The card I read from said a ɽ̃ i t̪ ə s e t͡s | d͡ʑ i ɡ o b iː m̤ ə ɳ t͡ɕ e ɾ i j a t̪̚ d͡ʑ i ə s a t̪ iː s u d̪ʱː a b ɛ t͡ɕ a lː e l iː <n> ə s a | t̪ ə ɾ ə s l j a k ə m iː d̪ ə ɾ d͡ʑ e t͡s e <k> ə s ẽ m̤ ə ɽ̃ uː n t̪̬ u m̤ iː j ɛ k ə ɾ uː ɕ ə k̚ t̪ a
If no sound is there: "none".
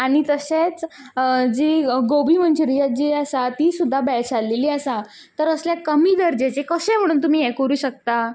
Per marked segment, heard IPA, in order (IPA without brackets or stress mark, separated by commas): none, k